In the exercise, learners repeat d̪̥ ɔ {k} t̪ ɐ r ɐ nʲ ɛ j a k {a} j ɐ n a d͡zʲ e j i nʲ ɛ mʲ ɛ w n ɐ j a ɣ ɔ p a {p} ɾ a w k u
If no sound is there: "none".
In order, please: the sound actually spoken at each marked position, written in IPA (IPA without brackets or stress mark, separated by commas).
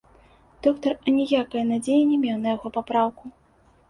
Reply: k, ɐ, p